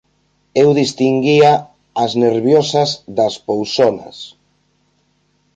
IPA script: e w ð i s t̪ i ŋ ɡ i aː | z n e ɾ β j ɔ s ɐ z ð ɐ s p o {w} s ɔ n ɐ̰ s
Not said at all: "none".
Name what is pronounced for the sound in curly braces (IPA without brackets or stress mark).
w